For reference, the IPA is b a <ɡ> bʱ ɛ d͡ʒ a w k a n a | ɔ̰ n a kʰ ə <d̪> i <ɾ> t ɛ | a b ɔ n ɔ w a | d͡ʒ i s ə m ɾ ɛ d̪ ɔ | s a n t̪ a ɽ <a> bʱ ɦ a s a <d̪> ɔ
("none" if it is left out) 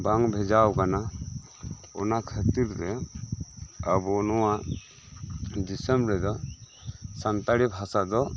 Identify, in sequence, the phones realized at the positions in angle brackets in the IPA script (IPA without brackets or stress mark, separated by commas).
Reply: ŋ, t̪, ɾ, i, d̪